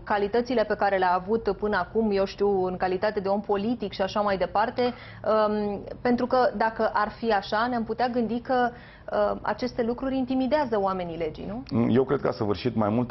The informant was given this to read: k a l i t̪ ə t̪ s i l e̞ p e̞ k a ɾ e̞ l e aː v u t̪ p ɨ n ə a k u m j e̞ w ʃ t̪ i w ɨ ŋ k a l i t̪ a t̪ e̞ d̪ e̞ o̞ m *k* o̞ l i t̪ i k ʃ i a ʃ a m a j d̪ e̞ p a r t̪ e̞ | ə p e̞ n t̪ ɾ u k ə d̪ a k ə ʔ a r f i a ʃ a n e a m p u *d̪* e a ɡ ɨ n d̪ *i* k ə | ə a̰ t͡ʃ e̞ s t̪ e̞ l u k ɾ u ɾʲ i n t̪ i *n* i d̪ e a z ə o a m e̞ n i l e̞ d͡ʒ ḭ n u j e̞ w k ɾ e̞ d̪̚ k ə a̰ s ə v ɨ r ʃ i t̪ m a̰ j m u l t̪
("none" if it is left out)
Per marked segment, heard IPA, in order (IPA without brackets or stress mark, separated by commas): p, t̪, i, m